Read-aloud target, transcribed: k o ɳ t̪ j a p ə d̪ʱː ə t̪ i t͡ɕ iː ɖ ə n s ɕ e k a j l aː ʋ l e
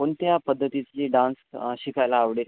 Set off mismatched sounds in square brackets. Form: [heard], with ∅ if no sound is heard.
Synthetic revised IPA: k o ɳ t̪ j a p ə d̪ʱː ə t̪ i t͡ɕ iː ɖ [a] n s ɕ [i] k a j l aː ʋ [ɽ] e